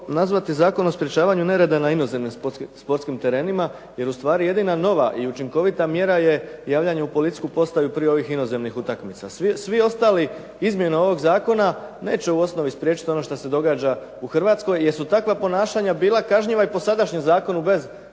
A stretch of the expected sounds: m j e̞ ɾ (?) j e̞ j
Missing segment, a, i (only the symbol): a